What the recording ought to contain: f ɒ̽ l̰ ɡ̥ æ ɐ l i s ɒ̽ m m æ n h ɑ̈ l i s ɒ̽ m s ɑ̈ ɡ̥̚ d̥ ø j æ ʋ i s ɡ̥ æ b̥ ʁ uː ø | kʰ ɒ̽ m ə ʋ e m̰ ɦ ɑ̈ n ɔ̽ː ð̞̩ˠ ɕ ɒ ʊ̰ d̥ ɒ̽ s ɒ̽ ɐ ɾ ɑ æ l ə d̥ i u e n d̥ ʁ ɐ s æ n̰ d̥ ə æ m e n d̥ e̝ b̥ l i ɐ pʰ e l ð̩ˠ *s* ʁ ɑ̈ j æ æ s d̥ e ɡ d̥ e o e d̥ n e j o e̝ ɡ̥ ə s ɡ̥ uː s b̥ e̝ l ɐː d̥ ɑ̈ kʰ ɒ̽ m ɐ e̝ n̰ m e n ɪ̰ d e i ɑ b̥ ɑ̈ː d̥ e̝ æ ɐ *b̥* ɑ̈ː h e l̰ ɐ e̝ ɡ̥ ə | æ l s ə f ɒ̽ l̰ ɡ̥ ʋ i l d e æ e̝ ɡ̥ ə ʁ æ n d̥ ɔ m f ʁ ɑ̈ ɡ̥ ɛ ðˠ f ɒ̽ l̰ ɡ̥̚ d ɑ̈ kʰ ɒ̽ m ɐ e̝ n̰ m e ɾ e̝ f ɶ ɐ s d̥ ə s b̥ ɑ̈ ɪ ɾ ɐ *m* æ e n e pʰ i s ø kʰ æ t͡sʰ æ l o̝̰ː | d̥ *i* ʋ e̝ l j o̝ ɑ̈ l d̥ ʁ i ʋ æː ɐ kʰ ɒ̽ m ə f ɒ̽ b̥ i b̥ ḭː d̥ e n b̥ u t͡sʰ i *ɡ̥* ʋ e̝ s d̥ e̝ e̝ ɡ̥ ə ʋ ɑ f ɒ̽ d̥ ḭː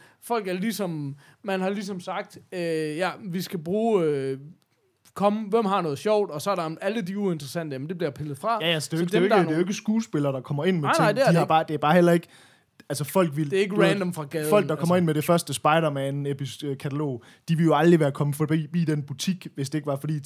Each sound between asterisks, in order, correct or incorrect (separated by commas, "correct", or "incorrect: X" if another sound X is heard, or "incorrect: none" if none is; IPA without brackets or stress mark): incorrect: f, correct, correct, correct, correct